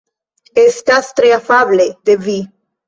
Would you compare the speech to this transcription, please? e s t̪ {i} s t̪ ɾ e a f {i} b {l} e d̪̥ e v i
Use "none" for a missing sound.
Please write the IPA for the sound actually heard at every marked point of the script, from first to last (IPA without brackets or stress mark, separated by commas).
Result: a, a, l